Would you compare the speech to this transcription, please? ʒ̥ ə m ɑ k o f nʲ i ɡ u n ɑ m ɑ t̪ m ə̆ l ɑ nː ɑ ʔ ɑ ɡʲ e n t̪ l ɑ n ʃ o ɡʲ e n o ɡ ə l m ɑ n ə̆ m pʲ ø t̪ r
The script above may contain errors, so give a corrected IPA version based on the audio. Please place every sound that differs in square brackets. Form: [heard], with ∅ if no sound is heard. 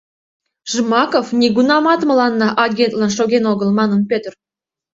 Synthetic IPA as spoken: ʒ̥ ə m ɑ k o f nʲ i ɡ u n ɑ m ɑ t̪ m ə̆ l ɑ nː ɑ ʔ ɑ ɡʲ e n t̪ l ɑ n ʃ o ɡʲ e n o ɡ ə l m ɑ n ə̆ [n] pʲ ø t̪ r